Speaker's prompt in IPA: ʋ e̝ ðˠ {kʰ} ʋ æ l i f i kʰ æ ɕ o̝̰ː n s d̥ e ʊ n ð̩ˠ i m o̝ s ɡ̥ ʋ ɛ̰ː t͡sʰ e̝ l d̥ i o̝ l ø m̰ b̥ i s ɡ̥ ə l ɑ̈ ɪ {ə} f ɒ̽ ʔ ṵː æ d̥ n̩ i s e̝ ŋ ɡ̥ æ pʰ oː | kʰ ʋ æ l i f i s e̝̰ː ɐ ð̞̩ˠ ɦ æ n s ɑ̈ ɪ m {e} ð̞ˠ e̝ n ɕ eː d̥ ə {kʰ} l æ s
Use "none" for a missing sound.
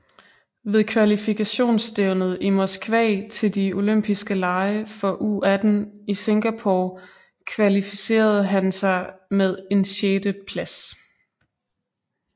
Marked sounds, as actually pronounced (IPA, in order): kʰ, ə, e, pʰ

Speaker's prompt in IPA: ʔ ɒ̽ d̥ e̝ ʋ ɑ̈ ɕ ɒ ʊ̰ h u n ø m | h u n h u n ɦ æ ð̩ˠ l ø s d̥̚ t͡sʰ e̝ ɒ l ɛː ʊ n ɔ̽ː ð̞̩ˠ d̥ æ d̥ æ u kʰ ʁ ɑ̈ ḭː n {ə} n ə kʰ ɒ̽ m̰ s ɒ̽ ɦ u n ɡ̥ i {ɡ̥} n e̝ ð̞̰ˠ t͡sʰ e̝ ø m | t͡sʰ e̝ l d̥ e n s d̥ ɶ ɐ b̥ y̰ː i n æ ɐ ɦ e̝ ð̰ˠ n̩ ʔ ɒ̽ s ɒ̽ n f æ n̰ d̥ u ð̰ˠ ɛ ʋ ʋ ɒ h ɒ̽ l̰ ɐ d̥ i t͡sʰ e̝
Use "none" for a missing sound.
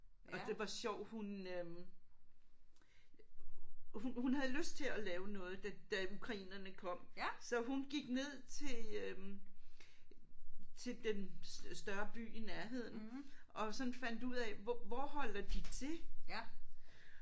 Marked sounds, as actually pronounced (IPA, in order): ɐ, ɡ̥

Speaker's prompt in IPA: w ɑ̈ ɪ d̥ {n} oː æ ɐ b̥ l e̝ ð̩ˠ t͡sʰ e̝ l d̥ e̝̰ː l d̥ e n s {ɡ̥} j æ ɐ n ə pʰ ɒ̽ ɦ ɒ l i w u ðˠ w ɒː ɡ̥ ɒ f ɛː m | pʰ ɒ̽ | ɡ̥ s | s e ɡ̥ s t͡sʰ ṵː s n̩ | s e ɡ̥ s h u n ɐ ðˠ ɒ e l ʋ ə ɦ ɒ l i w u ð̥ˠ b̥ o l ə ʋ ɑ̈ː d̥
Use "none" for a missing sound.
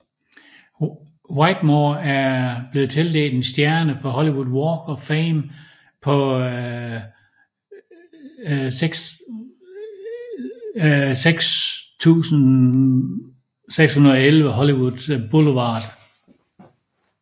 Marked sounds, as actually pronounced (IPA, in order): m, d̥

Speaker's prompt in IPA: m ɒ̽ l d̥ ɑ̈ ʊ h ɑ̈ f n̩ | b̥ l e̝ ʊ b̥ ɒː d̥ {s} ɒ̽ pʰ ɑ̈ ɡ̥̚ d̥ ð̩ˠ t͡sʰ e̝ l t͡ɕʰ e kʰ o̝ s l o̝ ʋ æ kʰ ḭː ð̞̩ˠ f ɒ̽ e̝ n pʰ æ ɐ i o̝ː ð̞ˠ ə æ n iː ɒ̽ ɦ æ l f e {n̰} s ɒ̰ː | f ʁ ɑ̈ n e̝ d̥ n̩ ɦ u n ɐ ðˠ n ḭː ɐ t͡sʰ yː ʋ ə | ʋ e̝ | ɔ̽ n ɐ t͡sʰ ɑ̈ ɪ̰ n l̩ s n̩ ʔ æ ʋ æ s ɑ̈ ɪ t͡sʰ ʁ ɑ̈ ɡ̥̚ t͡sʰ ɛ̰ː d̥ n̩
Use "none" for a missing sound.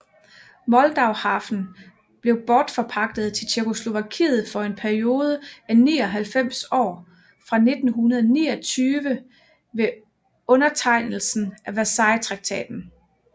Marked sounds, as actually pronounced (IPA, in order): f, m̰

